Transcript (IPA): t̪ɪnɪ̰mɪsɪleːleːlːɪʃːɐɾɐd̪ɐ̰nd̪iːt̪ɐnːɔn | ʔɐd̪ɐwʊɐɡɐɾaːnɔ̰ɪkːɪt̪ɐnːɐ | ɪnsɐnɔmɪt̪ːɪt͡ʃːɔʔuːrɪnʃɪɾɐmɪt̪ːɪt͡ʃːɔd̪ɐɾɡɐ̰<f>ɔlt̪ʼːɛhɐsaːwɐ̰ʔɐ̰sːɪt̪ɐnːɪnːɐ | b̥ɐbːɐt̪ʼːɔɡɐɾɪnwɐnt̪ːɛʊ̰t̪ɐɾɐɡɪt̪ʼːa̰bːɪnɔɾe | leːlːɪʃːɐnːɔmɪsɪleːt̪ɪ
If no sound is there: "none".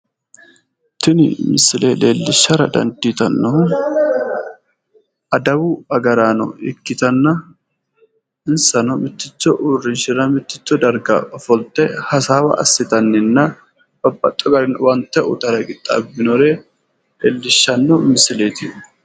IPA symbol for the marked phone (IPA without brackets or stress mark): f